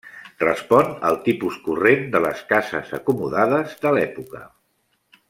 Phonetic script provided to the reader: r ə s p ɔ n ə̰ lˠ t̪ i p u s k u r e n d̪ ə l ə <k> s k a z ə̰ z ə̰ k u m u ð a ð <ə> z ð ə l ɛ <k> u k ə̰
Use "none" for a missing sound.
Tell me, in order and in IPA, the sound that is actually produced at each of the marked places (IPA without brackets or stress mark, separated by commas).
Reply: none, ə, p